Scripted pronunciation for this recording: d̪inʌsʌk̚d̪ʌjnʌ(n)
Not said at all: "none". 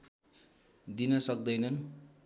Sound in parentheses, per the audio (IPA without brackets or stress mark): n